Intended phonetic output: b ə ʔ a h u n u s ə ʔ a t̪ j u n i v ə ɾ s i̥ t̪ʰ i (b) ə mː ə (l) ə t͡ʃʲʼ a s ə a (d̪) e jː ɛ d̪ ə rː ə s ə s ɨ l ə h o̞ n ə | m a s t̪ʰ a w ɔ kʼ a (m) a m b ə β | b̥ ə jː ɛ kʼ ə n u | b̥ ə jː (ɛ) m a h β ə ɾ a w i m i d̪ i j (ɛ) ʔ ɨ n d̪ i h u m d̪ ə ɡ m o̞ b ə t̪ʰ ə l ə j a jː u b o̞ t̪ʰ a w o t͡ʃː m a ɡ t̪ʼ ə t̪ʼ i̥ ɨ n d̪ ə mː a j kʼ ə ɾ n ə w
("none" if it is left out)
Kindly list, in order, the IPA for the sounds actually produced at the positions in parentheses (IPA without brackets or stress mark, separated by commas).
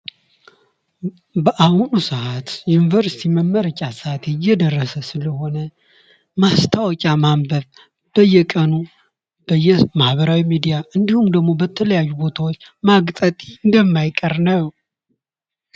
m, ɾ, t̪, m, ɛ, a